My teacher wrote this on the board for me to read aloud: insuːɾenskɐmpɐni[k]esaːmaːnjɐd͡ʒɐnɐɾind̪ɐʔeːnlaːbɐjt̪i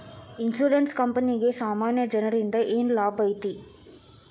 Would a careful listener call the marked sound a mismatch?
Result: yes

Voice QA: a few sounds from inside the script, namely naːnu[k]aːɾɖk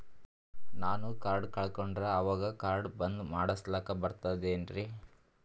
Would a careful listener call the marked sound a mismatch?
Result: no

